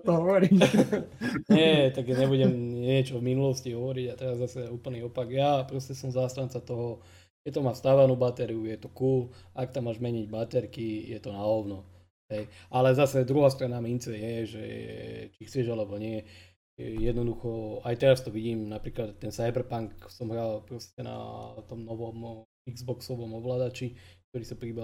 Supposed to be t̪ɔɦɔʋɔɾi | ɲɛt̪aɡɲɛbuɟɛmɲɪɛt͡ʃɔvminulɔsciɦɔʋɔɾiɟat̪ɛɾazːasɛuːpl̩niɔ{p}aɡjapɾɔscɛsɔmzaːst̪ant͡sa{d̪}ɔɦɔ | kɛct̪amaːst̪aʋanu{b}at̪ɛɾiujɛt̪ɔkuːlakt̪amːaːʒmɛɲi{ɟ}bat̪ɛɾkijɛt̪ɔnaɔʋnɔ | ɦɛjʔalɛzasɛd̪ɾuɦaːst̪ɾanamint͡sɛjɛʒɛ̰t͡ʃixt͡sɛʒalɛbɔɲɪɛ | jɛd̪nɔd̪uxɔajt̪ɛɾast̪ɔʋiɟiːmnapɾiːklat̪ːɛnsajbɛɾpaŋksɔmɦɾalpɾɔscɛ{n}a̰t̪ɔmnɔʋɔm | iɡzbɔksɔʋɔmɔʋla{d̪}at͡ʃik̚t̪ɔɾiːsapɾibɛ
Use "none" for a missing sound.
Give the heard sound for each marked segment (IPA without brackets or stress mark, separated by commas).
p, t̪, b, ɟ, n, d̪